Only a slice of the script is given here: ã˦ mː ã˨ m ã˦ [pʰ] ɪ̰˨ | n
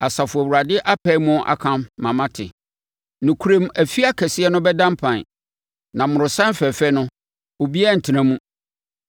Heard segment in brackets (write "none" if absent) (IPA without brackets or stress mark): tʰ